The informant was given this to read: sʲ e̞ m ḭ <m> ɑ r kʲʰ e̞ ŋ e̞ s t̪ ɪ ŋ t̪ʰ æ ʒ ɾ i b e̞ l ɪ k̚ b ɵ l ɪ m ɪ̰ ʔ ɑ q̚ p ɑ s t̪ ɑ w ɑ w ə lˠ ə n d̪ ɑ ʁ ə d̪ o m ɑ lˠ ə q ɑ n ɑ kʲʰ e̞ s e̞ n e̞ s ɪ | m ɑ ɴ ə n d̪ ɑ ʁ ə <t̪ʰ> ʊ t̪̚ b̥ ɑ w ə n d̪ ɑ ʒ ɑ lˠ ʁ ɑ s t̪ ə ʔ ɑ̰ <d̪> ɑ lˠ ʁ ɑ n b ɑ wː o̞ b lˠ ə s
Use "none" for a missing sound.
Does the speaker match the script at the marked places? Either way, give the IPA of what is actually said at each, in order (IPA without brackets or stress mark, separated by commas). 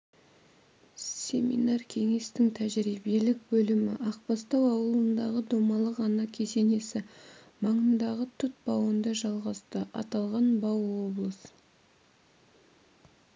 n, t̪ʰ, t̪